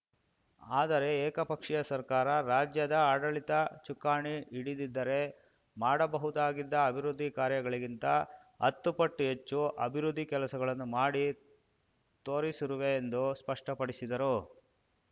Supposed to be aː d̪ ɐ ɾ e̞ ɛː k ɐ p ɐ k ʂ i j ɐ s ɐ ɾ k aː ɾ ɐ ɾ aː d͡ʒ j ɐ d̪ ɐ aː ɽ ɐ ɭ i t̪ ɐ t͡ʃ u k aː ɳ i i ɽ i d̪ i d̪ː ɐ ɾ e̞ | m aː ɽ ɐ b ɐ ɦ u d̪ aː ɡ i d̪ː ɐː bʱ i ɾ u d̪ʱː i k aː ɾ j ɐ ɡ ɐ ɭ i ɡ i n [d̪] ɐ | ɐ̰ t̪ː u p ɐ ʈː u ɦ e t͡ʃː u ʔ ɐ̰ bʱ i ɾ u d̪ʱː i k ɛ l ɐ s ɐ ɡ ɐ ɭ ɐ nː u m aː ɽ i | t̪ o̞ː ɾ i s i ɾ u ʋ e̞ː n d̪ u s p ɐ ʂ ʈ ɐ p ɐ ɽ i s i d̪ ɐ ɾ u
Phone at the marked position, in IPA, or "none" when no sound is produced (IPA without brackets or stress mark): t̪